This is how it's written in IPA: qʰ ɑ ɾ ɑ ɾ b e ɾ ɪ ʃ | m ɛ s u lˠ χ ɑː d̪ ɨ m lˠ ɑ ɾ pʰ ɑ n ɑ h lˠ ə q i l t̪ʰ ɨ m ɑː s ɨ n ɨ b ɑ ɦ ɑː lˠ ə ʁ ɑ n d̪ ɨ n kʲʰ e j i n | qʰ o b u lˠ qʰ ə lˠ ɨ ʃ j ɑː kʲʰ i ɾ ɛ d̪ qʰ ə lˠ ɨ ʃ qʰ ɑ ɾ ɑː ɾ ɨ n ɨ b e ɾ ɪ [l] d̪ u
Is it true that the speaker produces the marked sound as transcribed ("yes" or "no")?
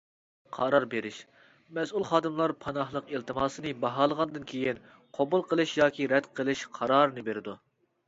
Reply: no